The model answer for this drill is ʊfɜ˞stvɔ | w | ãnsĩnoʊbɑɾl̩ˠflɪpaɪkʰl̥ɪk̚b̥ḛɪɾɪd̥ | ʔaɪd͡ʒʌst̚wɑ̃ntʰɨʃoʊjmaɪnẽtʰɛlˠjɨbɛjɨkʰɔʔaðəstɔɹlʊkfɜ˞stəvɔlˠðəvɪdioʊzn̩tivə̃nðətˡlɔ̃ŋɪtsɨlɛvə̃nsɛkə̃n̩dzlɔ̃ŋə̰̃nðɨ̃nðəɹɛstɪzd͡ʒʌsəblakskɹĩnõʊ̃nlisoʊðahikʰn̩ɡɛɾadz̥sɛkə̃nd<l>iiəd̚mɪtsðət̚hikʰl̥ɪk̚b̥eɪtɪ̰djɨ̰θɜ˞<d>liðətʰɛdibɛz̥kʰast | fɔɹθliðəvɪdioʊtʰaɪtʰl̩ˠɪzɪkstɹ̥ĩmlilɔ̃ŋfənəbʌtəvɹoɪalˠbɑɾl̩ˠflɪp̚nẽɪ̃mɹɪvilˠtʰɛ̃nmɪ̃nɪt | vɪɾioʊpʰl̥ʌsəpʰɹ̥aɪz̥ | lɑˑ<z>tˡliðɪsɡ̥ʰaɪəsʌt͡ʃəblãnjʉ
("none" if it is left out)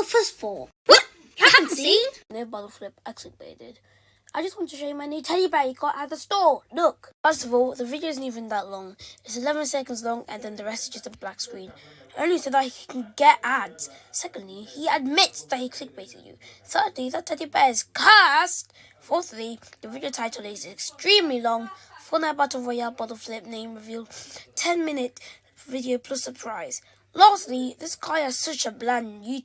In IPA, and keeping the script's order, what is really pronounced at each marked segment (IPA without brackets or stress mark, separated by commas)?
l, d, s